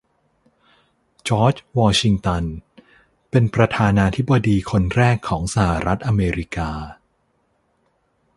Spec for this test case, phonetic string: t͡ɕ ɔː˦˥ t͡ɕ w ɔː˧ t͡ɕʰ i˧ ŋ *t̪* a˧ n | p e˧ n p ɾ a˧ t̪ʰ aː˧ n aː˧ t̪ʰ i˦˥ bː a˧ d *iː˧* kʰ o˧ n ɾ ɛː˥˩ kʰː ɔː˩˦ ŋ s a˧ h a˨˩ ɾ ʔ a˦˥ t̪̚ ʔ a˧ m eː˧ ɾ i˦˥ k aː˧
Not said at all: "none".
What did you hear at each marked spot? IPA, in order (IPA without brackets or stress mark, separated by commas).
t̪, iː˧